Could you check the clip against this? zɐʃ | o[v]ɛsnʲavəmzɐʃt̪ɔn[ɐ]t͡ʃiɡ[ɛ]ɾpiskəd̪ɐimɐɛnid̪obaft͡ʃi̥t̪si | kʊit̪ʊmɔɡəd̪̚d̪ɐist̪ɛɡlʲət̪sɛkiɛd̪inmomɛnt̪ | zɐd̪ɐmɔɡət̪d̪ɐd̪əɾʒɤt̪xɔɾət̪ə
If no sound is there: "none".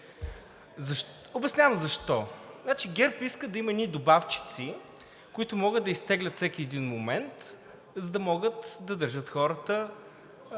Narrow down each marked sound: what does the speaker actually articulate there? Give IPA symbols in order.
b, a, ɛ

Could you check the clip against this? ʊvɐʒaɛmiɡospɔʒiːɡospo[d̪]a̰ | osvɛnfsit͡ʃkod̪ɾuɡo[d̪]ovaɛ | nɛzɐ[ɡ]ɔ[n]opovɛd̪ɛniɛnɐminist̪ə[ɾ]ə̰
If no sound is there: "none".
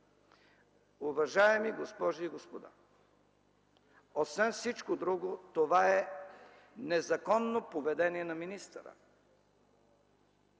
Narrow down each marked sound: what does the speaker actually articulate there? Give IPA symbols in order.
d̪, t̪, k, nː, ɾ

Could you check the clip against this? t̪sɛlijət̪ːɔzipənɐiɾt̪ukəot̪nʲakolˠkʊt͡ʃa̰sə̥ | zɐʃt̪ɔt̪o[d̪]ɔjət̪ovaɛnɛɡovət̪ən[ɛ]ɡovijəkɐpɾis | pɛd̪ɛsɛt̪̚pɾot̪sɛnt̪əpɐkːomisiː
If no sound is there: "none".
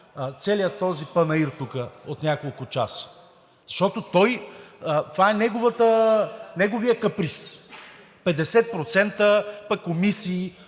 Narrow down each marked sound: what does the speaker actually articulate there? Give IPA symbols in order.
t̪, ɛ

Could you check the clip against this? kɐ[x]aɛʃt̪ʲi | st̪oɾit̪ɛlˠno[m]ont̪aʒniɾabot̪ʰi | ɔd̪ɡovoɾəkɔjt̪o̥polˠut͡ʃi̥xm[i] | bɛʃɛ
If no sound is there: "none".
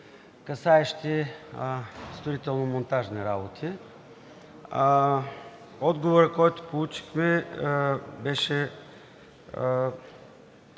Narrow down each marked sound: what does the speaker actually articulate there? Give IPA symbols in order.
s, m, ɛ

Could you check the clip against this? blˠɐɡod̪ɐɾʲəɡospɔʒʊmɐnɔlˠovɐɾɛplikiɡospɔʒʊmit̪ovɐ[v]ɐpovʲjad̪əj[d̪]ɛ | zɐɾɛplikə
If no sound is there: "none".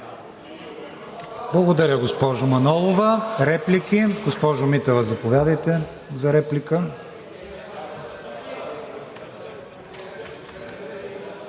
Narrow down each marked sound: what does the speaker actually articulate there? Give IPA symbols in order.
z, t̪

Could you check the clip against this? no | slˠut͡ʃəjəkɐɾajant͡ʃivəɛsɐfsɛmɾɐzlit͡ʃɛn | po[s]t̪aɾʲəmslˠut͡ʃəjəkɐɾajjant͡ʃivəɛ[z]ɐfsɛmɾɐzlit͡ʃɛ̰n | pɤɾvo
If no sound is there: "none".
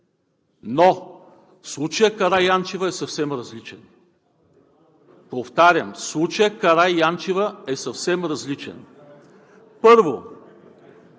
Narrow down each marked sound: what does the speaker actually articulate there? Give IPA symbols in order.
f, s

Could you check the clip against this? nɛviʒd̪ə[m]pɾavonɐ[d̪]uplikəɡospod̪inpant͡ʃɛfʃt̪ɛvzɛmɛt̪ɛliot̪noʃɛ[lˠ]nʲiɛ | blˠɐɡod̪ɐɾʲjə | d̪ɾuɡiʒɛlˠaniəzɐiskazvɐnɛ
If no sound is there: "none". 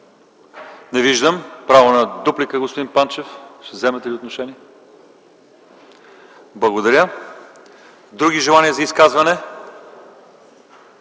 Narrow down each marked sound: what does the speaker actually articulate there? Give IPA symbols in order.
m, d̪, none

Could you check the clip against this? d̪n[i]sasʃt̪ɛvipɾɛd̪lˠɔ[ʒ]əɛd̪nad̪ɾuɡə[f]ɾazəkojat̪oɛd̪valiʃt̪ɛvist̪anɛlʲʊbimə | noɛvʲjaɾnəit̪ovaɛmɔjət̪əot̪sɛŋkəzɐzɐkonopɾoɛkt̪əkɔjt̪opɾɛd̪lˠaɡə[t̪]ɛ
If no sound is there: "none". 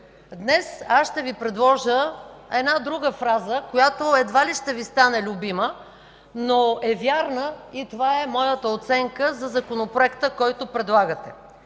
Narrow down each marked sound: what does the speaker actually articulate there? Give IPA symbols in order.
ɛ, ʒ, f, t̪

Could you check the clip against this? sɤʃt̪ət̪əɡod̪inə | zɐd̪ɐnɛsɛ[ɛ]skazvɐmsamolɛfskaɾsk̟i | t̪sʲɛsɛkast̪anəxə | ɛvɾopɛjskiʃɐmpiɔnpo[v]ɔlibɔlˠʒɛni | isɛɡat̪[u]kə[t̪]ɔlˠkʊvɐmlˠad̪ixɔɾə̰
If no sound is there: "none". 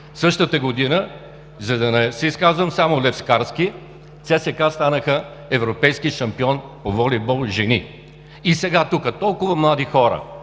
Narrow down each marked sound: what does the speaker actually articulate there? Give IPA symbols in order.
i, v, u, t̪

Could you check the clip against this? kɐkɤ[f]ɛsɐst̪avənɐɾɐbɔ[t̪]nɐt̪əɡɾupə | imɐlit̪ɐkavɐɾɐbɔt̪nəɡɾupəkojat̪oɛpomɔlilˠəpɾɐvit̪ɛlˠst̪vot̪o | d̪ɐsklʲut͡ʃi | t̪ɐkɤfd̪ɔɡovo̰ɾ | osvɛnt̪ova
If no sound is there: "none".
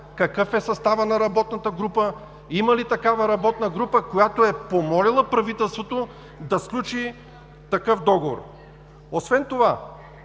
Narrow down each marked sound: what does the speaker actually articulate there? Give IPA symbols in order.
f, t̪

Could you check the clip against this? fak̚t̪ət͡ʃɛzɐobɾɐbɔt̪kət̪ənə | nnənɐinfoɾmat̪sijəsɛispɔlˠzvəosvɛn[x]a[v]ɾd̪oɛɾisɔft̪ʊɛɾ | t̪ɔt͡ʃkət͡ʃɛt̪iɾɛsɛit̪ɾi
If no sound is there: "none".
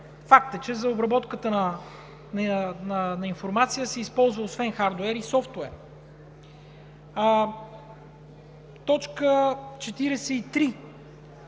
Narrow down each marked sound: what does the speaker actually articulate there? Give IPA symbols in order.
x, none

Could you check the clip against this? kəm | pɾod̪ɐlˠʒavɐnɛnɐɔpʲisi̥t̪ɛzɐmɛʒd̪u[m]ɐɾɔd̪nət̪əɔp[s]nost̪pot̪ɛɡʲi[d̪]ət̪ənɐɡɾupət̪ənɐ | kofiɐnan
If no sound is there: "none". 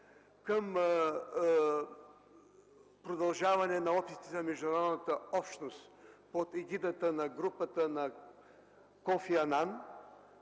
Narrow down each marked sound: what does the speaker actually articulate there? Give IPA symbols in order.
n, ʃ, d̪

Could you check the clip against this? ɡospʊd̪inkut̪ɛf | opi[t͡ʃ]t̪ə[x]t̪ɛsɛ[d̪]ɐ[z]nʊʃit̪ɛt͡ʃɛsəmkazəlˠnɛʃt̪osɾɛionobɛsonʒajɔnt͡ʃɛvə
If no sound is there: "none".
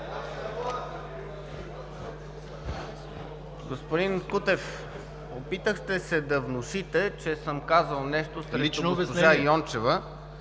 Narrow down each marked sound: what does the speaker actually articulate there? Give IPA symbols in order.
none, x, d̪, v

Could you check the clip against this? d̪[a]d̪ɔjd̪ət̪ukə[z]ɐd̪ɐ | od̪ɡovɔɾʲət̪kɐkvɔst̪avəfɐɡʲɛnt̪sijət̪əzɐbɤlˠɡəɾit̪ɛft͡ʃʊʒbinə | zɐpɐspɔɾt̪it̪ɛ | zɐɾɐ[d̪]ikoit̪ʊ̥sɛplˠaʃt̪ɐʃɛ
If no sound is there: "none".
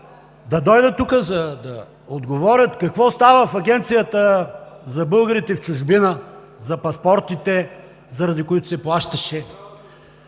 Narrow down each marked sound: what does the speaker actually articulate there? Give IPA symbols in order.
ɐ, z, d̪

